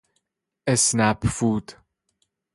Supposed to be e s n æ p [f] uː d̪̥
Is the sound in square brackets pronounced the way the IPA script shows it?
yes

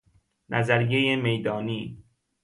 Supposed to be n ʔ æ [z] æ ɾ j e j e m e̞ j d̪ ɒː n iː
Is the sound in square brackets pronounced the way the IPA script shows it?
yes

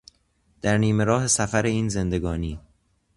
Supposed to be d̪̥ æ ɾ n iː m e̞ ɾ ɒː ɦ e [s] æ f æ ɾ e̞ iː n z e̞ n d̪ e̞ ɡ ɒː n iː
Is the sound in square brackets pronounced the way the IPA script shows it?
yes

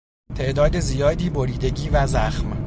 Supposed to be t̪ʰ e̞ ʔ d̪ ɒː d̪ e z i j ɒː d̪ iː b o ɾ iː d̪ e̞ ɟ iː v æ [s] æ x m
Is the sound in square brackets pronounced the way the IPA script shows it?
no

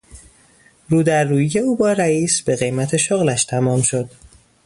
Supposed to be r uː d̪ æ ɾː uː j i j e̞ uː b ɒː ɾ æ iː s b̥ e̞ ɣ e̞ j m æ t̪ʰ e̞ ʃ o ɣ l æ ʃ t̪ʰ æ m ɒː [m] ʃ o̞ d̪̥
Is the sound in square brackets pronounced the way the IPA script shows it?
yes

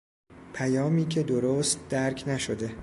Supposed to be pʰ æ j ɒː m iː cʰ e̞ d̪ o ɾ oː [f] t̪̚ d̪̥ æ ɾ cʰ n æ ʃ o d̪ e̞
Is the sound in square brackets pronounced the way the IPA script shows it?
no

